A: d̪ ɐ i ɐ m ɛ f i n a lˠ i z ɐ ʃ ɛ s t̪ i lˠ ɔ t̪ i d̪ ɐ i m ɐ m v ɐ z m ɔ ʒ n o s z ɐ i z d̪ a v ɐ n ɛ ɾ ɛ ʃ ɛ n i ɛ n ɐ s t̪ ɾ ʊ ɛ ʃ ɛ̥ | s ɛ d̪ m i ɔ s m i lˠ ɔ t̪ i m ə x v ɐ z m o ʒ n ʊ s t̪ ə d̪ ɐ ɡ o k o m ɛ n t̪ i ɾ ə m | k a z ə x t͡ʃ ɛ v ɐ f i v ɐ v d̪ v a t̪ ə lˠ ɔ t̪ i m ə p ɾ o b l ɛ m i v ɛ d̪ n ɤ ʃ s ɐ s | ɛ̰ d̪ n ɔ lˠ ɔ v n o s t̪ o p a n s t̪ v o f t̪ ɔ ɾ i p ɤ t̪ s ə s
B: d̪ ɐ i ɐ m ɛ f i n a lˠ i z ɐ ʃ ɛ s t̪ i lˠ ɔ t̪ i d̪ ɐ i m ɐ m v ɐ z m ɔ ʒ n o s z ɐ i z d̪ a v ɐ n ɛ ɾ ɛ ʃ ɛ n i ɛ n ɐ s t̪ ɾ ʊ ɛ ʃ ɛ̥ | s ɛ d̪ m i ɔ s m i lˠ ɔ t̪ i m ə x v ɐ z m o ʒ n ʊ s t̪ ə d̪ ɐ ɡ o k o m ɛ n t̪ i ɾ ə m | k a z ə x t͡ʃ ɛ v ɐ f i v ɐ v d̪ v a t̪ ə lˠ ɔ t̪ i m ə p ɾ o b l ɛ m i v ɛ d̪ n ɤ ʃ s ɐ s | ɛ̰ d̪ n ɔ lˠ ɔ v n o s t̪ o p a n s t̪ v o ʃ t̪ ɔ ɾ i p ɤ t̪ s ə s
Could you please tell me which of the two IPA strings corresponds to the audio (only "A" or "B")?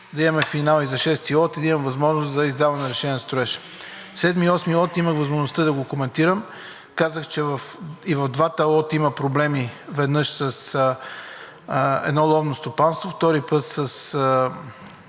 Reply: A